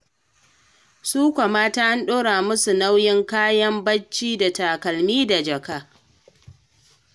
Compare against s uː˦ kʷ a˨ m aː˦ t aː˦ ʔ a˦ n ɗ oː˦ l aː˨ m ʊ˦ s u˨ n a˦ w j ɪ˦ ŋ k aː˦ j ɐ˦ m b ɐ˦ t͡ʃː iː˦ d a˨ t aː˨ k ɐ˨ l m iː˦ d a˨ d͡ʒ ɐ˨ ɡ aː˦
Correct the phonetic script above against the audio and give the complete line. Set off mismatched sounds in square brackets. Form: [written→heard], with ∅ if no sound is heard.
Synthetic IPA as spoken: s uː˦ kʷ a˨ m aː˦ t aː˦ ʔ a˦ n ɗ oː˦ [l→ɽ] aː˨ m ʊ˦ s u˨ n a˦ w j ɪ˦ ŋ k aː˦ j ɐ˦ m b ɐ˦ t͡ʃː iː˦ d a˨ t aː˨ k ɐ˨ l m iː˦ d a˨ d͡ʒ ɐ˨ [ɡ→k] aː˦